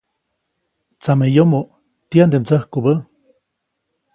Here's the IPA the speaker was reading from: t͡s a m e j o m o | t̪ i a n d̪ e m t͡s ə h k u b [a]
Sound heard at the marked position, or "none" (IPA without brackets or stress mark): ə